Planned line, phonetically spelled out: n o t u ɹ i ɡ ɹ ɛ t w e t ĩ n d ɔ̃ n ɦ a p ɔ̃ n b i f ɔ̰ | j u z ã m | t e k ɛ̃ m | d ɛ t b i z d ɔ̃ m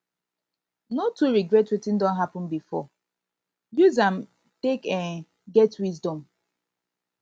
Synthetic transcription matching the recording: n o t u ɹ i ɡ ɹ ɛ t w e t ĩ n d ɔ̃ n ɦ a p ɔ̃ n b i f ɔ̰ | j u z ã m | t e k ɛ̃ n | ɡ ɛ t w i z d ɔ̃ m